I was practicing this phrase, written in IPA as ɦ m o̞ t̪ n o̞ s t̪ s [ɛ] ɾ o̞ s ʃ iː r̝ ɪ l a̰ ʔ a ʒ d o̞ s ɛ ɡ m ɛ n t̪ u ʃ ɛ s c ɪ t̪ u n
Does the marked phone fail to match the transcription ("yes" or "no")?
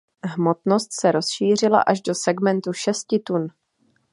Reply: no